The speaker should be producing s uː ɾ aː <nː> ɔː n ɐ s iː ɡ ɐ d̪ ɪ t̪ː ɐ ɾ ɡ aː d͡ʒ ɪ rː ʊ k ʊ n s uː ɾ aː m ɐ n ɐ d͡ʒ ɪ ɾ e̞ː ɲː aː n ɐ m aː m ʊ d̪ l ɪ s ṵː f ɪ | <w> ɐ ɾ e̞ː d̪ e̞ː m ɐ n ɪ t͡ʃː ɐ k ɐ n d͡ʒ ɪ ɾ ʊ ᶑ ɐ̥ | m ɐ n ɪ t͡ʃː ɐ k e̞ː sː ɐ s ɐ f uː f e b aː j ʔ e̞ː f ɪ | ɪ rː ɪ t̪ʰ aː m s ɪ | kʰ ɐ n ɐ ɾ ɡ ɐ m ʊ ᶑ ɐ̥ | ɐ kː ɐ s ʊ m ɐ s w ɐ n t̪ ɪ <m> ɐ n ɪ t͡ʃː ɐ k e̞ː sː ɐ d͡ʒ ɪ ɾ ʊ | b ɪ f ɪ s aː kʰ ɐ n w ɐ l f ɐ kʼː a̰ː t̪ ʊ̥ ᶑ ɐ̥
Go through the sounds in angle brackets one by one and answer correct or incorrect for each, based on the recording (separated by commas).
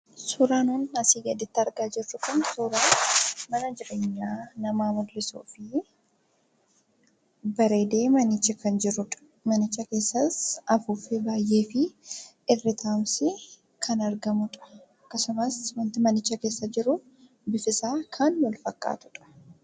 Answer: incorrect, incorrect, correct